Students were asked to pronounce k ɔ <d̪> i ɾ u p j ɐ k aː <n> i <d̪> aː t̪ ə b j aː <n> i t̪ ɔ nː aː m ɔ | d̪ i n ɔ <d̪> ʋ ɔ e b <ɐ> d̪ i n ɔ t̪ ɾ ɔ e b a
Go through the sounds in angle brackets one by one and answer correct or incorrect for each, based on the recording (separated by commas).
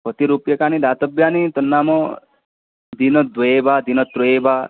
incorrect, correct, correct, correct, correct, incorrect